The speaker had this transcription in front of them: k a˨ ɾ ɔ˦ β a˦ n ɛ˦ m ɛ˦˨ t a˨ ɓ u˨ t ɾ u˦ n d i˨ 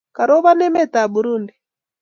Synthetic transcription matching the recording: k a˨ ɾ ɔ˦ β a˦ n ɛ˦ m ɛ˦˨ t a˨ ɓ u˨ ɾ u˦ n d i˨